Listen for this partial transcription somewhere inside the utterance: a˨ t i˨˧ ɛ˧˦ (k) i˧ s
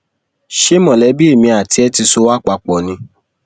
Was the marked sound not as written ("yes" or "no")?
yes